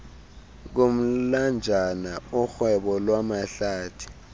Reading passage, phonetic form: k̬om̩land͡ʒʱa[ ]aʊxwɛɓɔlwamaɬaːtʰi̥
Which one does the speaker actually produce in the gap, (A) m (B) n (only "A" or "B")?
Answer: B